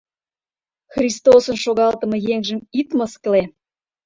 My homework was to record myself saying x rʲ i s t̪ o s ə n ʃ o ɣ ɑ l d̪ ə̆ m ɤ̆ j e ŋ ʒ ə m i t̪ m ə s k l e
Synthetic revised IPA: x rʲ i s t̪ o s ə n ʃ o ɣ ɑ l t̪ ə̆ m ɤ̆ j e ŋ ʒ ə m i t̪ m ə s k l e